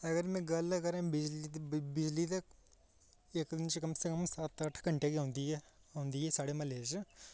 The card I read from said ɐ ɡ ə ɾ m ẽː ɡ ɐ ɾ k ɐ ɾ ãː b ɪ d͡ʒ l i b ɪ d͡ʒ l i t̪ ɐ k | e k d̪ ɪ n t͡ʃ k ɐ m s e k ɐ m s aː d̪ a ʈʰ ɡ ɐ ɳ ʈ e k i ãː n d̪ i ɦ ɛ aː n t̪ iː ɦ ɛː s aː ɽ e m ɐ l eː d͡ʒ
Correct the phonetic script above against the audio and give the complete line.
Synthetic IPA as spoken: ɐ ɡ ə ɾ m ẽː ɡ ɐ l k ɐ ɾ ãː b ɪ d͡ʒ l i b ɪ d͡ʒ l i t̪ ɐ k | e k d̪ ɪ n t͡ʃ k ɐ m s e k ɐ m s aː t̪ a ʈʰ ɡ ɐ ɳ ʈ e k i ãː n d̪ i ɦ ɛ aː n d̪ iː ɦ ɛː s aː ɽ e m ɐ l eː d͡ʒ